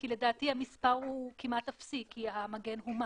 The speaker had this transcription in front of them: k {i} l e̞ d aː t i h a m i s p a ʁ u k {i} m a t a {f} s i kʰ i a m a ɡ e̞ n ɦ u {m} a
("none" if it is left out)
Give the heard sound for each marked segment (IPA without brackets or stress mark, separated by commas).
i, i, f, m